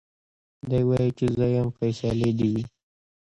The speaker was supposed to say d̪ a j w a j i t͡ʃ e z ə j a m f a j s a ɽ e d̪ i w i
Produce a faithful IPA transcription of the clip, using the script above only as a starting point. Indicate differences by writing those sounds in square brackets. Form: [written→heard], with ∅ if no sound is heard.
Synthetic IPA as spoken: d̪ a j w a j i t͡ʃ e z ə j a m f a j s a [ɽ→l] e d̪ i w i